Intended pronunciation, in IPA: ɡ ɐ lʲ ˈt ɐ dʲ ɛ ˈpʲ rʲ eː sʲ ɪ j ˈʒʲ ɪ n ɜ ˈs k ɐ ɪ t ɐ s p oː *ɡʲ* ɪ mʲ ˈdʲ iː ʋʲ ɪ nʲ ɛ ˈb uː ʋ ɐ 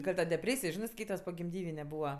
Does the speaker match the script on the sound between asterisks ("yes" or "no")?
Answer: yes